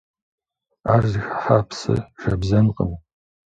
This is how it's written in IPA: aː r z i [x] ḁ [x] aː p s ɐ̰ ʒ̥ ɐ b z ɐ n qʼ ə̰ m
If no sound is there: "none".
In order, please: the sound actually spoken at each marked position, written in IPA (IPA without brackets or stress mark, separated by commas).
x, ħ